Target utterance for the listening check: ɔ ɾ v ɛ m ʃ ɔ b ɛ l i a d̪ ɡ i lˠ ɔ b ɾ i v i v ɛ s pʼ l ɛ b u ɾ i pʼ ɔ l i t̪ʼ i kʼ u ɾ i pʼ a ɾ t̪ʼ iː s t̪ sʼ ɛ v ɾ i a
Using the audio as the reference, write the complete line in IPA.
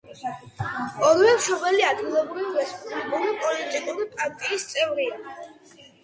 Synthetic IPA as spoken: ɔ ɾ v ɛ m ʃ ɔ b ɛ l i a d̪ ɡ i lˠ ɔ b ɾ i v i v ɛ s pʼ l ɛ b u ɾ i pʼ ɔ l i t̪ʼ i kʼ u ɾ i pʼ a ɾ t̪ʼ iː s t̪ sʼ ɛ v ɾ i a